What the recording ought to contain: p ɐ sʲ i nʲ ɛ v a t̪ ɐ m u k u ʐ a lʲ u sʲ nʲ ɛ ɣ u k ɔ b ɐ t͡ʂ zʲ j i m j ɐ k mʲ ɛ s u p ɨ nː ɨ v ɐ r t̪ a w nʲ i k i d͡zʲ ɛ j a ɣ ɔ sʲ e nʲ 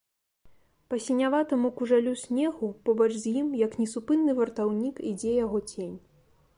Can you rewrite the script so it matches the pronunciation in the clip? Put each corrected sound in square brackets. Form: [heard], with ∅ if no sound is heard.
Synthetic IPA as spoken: p ɐ sʲ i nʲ [a] v a t̪ ɐ m u k u ʐ a lʲ u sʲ nʲ ɛ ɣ u [p] ɔ b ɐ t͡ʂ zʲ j i m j ɐ k [nʲ] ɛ s u p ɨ nː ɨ v ɐ r t̪ a w nʲ i k i d͡zʲ ɛ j a ɣ ɔ [t͡sʲ] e nʲ